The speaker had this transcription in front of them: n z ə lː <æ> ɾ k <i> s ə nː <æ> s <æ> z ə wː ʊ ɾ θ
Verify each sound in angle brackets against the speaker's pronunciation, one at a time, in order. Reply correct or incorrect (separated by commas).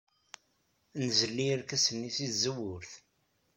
incorrect, incorrect, incorrect, incorrect